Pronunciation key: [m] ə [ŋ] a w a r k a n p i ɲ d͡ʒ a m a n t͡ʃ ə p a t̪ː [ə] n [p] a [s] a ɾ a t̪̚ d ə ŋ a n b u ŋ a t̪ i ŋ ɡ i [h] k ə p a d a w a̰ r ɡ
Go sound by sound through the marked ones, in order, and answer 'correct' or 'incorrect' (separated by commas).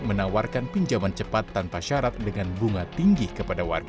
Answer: correct, incorrect, incorrect, correct, incorrect, correct